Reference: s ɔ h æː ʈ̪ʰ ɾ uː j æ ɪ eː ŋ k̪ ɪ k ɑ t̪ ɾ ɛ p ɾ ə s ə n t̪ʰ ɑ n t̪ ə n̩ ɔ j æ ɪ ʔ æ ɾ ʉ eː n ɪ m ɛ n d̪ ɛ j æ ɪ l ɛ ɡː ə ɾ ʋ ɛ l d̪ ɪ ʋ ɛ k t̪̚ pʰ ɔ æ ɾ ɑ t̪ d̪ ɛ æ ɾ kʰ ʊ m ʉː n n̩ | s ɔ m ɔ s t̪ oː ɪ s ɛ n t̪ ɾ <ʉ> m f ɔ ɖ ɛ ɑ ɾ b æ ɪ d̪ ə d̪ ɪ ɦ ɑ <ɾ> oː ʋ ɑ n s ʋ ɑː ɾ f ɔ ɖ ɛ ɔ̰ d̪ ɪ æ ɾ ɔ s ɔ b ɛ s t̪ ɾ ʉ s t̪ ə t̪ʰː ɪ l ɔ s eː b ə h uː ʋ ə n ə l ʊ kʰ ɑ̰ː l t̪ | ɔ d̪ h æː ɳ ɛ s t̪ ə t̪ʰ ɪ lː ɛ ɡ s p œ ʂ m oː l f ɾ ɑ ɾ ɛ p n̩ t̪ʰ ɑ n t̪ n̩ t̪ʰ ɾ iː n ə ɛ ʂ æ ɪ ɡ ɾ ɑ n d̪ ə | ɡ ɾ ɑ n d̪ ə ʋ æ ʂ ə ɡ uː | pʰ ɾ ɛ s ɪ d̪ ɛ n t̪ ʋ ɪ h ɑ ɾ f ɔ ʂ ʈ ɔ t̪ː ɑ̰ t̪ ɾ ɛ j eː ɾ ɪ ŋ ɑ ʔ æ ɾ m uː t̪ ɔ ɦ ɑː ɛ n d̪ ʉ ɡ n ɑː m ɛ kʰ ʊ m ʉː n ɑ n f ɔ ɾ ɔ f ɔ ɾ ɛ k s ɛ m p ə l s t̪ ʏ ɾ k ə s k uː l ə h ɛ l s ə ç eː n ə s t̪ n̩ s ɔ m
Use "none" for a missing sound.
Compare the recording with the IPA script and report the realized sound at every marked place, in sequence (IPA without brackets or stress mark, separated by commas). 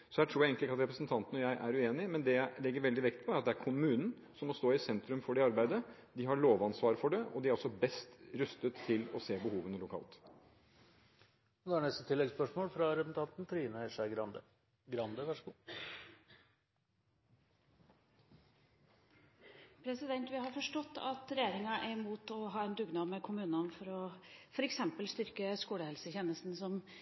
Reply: ʉ, ɭ